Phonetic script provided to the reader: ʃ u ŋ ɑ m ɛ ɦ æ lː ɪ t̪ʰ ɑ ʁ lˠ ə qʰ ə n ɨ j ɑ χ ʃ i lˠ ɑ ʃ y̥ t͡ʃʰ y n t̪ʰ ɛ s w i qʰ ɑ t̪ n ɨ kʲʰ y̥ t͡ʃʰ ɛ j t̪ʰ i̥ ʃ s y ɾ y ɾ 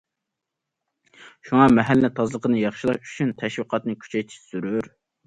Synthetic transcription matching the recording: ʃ u ŋ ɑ m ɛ ɦ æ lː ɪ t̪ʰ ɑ z lˠ ə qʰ ə n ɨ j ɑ χ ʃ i lˠ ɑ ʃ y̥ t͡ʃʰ y n t̪ʰ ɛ ʃ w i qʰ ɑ t̪ n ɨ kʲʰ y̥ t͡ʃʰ ɛ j t̪ʰ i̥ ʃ s y ɾ y ɾ